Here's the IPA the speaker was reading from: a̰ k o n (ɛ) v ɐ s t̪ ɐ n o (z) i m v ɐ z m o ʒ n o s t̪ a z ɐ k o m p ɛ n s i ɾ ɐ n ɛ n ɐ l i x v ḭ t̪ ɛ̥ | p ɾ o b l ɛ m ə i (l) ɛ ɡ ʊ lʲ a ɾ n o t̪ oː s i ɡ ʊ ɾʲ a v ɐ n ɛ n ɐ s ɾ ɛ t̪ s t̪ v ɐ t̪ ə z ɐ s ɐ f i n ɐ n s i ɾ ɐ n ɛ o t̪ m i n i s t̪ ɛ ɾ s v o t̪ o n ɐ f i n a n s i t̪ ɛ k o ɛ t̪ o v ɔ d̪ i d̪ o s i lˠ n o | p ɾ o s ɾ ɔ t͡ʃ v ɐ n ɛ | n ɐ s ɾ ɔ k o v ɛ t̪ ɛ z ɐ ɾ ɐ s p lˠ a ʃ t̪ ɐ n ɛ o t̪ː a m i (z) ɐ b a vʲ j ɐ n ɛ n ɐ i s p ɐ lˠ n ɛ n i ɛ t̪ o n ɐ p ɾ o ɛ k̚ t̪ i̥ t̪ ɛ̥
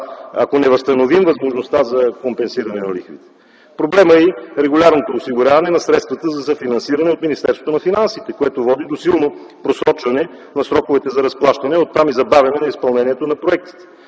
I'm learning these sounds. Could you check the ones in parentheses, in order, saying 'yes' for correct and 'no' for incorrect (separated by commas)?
yes, no, no, yes